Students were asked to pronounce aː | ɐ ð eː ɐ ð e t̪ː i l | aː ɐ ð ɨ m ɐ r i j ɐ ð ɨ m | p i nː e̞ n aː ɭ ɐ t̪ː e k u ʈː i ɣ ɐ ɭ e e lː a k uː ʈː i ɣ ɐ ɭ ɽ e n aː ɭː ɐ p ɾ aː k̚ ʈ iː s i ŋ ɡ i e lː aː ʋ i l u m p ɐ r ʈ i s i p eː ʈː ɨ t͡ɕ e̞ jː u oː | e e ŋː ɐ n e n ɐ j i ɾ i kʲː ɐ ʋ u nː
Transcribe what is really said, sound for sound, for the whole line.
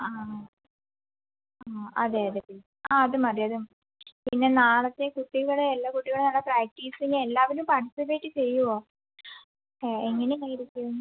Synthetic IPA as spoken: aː | ɐ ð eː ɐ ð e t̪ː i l | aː ɐ ð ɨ m ɐ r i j ɐ ð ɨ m | p i nː e̞ n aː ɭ ɐ t̪ː e k u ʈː i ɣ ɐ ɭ e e lː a k u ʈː i ɣ ɐ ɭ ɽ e n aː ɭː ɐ p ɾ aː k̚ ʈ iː s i ŋ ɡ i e lː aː ʋ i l u m p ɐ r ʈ i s i p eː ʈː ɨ t͡ɕ e̞ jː u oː | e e ŋː ɐ n e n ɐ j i ɾ i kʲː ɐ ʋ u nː

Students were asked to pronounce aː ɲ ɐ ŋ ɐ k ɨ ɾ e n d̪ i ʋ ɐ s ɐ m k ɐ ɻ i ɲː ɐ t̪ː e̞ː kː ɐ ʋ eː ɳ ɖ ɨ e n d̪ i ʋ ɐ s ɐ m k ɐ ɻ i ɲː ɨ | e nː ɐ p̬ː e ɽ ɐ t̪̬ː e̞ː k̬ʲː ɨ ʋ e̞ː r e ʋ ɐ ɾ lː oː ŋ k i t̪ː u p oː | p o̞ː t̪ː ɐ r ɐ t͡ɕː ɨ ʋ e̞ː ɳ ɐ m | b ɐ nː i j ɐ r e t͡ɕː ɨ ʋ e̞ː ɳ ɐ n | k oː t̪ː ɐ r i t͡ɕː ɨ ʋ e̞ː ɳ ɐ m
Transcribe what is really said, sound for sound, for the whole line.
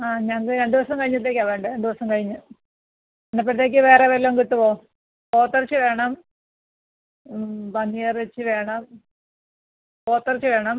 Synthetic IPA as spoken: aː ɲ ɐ ŋ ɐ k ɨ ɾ e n d̪ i ʋ ɐ s ɐ m k ɐ ɻ i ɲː ɐ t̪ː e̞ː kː ɐ ʋ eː ɳ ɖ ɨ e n d̪ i ʋ ɐ s ɐ m k ɐ ɻ i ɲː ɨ | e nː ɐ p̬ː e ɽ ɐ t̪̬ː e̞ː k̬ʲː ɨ ʋ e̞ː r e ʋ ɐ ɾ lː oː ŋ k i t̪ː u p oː | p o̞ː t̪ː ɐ r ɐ t͡ɕː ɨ ʋ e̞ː ɳ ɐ m | b ɐ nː i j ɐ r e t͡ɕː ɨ ʋ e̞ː ɳ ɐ m | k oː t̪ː ɐ r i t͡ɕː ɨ ʋ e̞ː ɳ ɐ m

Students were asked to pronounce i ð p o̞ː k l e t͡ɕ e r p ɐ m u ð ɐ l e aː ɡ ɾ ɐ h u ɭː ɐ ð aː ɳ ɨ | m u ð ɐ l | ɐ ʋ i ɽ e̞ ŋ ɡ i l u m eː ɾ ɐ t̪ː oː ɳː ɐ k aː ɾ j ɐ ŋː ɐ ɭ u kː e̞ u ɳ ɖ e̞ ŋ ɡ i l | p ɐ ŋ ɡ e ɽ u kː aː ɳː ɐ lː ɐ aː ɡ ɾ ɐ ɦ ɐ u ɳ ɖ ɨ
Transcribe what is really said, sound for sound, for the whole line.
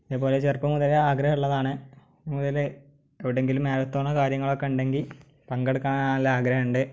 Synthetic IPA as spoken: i ð p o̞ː l e t͡ɕ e r p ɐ m u ð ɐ l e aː ɡ ɾ ɐ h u ɭː ɐ ð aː ɳ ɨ | m u ð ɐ l | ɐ ʋ i ɽ e̞ ŋ ɡ i l u m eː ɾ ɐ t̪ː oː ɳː ɐ k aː ɾ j ɐ ŋː ɐ ɭ o kː e̞ u ɳ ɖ e̞ ŋ ɡ i l | p ɐ ŋ ɡ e ɽ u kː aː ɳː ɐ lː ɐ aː ɡ ɾ ɐ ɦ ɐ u ɳ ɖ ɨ

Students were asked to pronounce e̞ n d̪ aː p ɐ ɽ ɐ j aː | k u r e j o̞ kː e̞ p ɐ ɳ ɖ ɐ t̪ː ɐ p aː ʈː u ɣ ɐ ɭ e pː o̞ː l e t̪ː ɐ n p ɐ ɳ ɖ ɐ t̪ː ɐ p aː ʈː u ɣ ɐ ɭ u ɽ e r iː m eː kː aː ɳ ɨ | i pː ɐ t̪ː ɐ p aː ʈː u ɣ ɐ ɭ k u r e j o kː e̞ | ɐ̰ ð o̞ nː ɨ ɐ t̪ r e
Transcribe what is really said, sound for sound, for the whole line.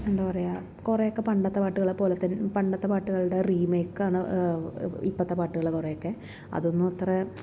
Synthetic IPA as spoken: e̞ n d̪ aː p ɐ r ɐ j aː | k u r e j o̞ kː e̞ p ɐ ɳ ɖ ɐ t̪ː ɐ p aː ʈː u ɣ ɐ ɭ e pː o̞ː l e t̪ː ɐ n p ɐ ɳ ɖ ɐ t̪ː ɐ p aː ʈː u ɣ ɐ ɭ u ɽ e r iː m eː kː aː ɳ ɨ | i pː ɐ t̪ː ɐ p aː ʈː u ɣ ɐ ɭ k u r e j o kː e̞ | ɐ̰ ð o̞ nː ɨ ɐ t̪ r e

